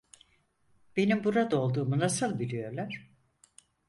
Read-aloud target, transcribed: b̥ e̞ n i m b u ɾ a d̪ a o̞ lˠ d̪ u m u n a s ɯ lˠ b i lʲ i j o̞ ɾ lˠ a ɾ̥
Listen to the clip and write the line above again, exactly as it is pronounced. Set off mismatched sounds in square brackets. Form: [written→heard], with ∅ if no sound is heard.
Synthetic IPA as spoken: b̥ e̞ n i m b u ɾ a d̪ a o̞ lˠ d̪ [u→uː] m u n a s ɯ lˠ b i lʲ i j o̞ ɾ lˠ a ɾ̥